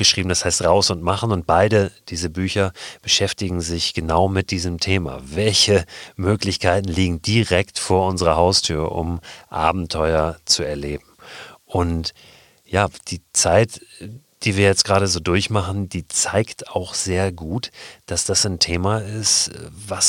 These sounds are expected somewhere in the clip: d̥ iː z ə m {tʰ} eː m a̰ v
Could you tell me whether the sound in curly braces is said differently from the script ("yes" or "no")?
no